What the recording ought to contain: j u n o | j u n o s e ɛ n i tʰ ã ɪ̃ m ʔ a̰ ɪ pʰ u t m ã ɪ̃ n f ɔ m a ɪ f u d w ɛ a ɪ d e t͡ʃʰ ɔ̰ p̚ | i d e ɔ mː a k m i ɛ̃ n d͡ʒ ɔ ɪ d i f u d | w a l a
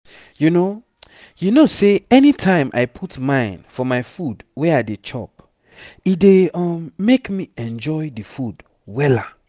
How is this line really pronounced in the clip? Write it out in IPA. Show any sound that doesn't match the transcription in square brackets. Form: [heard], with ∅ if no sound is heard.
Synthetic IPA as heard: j u n o | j u n o s e ɛ n i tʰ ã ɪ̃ m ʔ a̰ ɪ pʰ u t m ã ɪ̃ n f ɔ m a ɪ f u d w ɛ a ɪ d e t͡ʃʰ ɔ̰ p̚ | i d e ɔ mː [e] k m i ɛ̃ n d͡ʒ ɔ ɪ d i f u d | w [ɛ] l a